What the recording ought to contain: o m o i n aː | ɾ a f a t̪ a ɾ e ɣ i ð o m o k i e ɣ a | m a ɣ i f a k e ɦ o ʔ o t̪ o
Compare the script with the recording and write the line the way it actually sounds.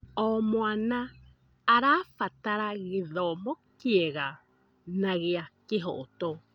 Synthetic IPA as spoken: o m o a n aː | ɾ a f a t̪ a ɾ a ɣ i ð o m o k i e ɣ a | n a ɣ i a k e ɦ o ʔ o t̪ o